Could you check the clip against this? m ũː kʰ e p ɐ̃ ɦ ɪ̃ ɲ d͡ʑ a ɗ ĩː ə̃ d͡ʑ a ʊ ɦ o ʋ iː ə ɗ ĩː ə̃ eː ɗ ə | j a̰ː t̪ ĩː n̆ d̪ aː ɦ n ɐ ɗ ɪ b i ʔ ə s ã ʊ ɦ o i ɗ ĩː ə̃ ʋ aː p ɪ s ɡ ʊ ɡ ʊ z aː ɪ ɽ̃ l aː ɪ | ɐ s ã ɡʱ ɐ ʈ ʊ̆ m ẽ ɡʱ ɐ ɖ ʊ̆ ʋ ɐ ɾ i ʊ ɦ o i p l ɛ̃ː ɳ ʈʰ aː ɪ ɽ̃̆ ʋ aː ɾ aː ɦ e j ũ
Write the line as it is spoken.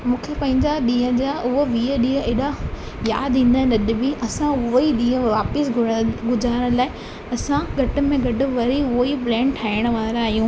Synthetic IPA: m ũː kʰ e p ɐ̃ ɦ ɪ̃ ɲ d͡ʑ a ɗ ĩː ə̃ d͡ʑ a ʊ ɦ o ʋ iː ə ɗ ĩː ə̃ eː ɗ a | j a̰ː d̪ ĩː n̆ d̪ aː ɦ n ɐ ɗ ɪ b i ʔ ɐ s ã ʊ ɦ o i ɗ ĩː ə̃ ʋ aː p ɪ s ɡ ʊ ɡ ʊ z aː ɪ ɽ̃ l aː ɪ | ɐ s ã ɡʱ ɐ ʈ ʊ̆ m ẽ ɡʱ ɐ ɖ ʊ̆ ʋ ɐ ɾ i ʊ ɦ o i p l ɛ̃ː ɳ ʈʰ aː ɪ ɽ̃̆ ʋ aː ɾ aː ɦ i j ũ